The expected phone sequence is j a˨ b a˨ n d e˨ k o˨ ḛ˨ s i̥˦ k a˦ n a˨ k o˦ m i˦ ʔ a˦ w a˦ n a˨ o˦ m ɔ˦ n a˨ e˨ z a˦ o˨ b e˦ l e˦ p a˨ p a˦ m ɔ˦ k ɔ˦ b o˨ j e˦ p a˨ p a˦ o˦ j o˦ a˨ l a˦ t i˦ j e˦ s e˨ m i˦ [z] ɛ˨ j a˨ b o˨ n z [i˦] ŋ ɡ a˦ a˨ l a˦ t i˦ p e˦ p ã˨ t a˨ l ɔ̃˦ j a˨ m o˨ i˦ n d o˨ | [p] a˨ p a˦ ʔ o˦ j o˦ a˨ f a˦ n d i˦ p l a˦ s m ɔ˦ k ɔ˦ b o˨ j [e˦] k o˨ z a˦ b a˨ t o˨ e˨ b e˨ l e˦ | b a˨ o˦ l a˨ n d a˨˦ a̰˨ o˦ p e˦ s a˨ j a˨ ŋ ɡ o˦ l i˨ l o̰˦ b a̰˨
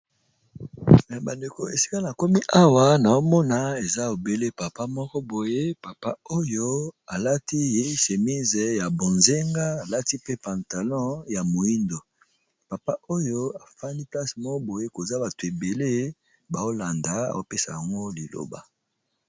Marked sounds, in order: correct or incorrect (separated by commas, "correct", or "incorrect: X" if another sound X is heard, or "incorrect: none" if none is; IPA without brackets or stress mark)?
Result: correct, incorrect: e˦, correct, correct